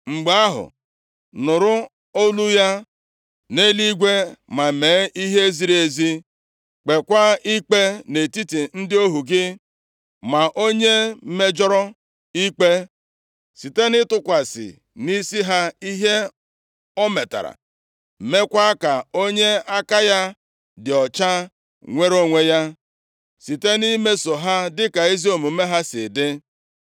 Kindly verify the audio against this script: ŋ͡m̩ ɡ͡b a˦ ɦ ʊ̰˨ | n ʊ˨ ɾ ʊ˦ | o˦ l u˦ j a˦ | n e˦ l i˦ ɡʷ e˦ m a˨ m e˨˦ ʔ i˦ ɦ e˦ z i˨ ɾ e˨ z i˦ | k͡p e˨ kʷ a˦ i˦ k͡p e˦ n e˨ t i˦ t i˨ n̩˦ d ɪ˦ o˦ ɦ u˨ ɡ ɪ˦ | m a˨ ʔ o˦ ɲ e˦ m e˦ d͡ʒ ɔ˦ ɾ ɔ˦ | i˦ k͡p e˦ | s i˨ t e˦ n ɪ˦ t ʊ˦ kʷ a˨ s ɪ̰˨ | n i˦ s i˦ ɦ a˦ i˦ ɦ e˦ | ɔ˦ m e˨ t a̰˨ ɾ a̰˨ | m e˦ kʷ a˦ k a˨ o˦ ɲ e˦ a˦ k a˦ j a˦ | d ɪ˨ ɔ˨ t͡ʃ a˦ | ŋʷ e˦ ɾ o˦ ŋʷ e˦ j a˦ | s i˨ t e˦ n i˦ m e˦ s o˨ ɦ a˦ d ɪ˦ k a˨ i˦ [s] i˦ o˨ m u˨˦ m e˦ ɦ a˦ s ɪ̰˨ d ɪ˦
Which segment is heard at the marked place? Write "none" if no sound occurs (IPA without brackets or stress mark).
z